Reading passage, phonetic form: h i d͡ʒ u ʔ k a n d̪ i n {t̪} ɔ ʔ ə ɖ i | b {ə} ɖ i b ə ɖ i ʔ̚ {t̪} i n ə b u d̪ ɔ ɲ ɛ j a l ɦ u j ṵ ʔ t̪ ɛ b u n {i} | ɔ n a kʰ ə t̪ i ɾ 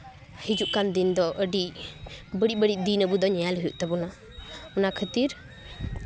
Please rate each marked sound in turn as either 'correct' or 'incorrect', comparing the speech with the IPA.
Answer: incorrect: d̪, correct, incorrect: d̪, incorrect: a

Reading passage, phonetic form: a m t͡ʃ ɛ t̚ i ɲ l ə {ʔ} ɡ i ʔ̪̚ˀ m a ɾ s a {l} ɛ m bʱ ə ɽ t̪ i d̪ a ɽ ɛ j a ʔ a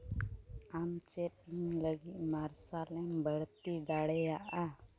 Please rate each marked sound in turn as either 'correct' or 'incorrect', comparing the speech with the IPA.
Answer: incorrect: none, correct

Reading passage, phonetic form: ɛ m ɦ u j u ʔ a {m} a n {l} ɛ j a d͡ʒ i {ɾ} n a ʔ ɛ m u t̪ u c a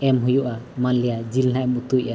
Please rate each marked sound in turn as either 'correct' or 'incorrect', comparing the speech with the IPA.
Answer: correct, correct, incorrect: l

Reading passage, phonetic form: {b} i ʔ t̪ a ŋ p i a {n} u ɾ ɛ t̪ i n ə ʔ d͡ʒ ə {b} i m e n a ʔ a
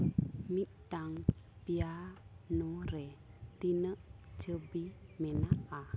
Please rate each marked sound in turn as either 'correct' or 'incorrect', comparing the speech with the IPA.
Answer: incorrect: m, correct, correct

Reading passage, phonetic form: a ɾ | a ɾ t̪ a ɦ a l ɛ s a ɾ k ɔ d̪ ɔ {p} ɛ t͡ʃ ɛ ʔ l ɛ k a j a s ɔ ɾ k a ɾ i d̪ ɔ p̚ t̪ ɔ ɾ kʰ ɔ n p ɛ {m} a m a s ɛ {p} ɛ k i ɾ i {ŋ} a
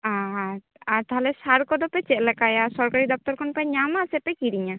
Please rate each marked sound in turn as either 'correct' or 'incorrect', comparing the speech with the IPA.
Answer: correct, incorrect: ɲ, correct, incorrect: ɲ

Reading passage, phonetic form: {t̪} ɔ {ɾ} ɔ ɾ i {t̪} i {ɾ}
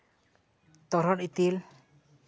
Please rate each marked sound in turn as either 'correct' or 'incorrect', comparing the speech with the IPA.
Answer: correct, correct, correct, incorrect: l

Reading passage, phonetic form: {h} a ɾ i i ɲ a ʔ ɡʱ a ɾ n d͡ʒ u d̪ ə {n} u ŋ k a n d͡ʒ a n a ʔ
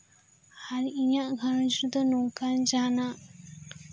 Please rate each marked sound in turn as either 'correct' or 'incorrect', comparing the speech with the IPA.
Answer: correct, correct

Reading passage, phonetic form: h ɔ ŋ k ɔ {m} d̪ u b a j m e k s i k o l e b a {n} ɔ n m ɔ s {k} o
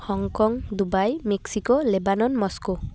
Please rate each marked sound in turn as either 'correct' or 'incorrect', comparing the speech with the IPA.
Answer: incorrect: ŋ, correct, correct

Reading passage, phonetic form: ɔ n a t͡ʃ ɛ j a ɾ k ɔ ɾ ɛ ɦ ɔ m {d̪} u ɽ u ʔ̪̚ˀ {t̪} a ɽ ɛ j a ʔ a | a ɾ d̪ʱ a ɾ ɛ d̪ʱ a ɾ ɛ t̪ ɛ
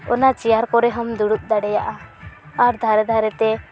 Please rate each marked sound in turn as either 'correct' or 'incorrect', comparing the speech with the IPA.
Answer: correct, incorrect: d̪

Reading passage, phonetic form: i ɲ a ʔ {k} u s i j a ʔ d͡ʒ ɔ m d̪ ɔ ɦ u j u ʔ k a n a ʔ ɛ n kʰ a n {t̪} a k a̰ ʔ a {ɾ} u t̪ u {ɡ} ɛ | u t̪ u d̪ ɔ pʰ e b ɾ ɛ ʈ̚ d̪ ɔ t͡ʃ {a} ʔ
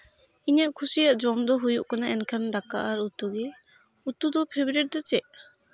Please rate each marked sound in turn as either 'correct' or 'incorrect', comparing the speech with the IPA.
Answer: incorrect: kʰ, incorrect: d̪, correct, correct, incorrect: ɛ

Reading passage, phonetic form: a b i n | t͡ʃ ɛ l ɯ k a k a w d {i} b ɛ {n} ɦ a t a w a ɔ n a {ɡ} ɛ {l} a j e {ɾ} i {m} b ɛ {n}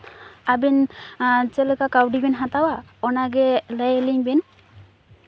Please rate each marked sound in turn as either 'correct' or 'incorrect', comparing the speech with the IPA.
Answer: correct, correct, correct, correct, incorrect: l, incorrect: ŋ, correct

